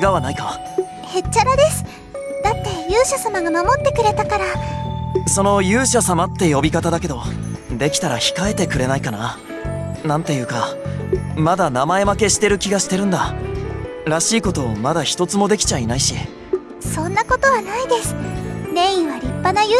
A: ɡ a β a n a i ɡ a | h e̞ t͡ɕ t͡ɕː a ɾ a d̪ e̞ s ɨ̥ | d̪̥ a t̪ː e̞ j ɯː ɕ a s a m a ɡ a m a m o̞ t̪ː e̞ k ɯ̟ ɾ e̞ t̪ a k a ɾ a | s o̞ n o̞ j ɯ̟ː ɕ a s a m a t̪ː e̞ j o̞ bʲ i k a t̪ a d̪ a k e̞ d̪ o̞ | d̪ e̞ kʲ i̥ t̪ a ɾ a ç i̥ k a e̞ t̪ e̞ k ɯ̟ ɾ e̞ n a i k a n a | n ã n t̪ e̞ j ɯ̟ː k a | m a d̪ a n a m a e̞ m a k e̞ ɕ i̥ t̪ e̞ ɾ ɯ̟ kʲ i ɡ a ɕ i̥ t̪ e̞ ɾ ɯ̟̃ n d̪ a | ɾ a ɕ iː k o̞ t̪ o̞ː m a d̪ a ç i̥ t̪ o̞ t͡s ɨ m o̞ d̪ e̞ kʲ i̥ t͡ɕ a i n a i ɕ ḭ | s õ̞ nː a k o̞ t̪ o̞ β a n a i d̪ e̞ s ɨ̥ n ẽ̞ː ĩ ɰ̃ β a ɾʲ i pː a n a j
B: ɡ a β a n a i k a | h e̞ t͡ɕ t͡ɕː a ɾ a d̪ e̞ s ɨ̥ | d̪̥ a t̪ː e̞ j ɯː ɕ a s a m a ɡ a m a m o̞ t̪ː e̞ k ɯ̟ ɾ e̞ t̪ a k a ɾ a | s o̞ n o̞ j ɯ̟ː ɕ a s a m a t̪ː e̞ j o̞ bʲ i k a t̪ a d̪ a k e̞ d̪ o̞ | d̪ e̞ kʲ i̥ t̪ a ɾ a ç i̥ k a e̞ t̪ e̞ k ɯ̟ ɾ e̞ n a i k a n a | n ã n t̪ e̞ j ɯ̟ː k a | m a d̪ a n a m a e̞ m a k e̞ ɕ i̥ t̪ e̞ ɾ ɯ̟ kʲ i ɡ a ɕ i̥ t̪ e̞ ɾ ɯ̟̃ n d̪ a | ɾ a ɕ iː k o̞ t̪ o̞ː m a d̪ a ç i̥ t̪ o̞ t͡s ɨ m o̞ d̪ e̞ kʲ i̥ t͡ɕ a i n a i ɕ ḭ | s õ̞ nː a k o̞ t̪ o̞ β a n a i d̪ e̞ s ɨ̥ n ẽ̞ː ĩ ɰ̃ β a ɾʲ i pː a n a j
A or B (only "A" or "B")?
B